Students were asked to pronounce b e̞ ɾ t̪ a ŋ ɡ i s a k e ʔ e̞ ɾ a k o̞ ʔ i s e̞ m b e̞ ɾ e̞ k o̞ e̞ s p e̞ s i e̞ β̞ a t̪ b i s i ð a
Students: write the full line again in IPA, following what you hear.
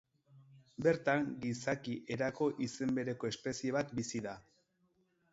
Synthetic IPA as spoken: b e̞ ɾ t̪ a ŋ ɡ i s a k i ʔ e̞ ɾ a k o̞ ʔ i s e̞ m b e̞ ɾ e̞ k o̞ e̞ s p e̞ s i e̞ β̞ a t̪ b i s i ð a

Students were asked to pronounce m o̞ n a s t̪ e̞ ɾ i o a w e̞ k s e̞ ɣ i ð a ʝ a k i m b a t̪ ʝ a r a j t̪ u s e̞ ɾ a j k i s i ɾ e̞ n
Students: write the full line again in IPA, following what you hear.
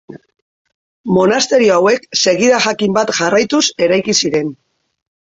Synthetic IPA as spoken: m o̞ n a s t̪ e̞ ɾ i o a w e̞ k s e̞ ɣ i ð a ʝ a k i m b a t̪ ʝ a r a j t̪ u s e̞ ɾ a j k i s i ɾ e̞ n

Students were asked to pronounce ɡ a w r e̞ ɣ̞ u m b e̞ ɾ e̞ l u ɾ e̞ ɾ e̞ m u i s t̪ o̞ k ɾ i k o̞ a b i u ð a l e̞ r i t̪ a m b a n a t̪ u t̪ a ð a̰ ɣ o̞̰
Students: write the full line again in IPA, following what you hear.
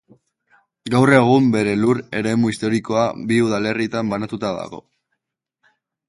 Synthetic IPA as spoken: ɡ a w r e̞ ɣ̞ u m b e̞ ɾ e̞ l u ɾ e̞ ɾ e̞ m u i s t̪ o̞ ɾ i k o̞ a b i u ð a l e̞ r i t̪ a m b a n a t̪ u t̪ a ð a̰ ɣ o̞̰

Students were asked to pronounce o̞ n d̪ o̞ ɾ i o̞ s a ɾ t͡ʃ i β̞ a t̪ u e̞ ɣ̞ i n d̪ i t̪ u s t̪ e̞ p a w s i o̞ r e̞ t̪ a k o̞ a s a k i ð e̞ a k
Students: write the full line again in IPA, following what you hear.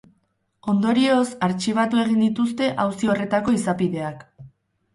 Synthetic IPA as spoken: o̞ n d̪ o̞ ɾ i o̞ s a ɾ t͡ʃ i β̞ a t̪ u e̞ ɣ̞ i n d̪ i t̪ u s t̪ e̞ ʔ a w s i o̞ r e̞ t̪ a k o̞ i s a p i ð e̞ a k

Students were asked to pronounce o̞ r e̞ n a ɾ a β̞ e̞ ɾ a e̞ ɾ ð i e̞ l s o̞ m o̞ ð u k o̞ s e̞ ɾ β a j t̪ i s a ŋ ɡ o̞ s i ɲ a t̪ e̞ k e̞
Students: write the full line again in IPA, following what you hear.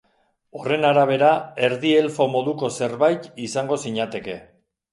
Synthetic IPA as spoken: o̞ r e̞ n a ɾ a β̞ e̞ ɾ a e̞ ɾ ð i e̞ l f o̞ m o̞ ð u k o̞ s e̞ ɾ β a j t̪ i s a ŋ ɡ o̞ s i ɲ a t̪ e̞ k e̞

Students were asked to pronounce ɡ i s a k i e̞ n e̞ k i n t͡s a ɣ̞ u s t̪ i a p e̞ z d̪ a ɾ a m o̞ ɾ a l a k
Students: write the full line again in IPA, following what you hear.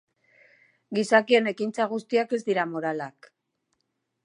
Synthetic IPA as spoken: ɡ i s a k i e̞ n e̞ k i n t͡s a ɣ̞ u s t̪ i a k e̞ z d̪ i ɾ a m o̞ ɾ a l a k

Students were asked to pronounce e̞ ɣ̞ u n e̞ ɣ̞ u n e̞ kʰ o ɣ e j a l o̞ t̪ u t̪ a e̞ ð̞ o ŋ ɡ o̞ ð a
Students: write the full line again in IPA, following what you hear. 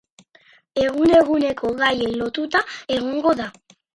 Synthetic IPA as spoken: e̞ ɣ̞ u n e̞ ɣ̞ u n e̞ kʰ o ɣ a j e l o̞ t̪ u t̪ a e̞ ɣ̞ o ŋ ɡ o̞ ð a

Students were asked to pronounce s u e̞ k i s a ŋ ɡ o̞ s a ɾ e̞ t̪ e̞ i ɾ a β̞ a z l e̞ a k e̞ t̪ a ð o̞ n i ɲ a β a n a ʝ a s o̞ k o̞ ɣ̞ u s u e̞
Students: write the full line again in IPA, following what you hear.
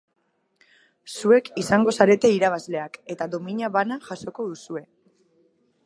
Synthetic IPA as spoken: s u e̞ k i s a ŋ ɡ o̞ s a ɾ e̞ t̪ e̞ i ɾ a β̞ a z l e̞ a k e̞ t̪ a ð o̞ m i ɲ a β a n a ʝ a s o̞ k o̞ ð̞ u s u e̞

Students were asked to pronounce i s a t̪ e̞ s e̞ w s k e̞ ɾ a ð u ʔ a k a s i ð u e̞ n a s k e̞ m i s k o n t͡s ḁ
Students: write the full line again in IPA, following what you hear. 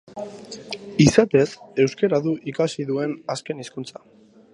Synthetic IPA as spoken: i s a t̪ e̞ s e̞ w s k e̞ ɾ a ð u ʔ i k a s i ð u e̞ n a s k e̞ n i s k u n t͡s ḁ

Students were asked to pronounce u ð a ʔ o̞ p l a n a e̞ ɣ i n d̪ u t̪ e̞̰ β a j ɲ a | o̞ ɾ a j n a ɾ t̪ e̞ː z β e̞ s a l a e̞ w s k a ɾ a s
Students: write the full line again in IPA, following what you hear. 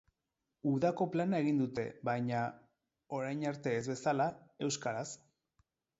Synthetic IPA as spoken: u ð a k o̞ p l a n a e̞ ɣ i n d̪ u t̪ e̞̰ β a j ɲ a | o̞ ɾ a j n a ɾ t̪ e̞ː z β e̞ s a l a e̞ w s k a ɾ a s

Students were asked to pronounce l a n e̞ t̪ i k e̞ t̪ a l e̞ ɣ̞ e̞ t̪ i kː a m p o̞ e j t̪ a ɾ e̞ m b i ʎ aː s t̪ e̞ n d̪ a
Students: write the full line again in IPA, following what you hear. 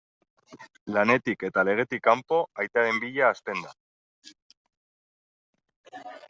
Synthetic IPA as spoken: l a n e̞ t̪ i k e̞ t̪ a l e̞ ɣ̞ e̞ t̪ i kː a m p o̞ a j t̪ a ɾ e̞ m b i ʎ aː s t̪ e̞ n d̪ a

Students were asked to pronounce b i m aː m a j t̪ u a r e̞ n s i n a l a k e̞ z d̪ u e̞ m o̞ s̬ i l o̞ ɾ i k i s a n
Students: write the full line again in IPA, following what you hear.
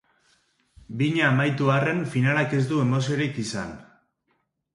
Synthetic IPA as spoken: b i ɲ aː m a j t̪ u a r e̞ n f i n a l a k e̞ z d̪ u e̞ m o̞ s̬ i o̞ ɾ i k i s a n

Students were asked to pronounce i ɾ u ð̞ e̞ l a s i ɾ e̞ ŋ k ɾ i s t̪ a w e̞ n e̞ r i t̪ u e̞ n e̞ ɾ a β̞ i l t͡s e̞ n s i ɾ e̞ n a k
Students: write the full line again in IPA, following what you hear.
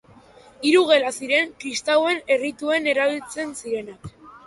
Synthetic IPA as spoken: i ɾ u ɣ̞ e̞ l a s i ɾ e̞ ŋ k ɾ i s t̪ a w e̞ n e̞ r i t̪ u e̞ n e̞ ɾ a β̞ i l t͡s e̞ n s i ɾ e̞ n a k

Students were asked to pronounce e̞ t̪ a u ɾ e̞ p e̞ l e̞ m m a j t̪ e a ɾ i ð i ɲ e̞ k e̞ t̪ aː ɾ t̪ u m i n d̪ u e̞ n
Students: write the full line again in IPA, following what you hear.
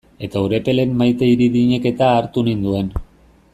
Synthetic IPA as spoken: e̞ t̪ a u ɾ e̞ p e̞ l e̞ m m a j t̪ e i ɾ i ð i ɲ e̞ k e̞ t̪ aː ɾ t̪ u n i n d̪ u e̞ n

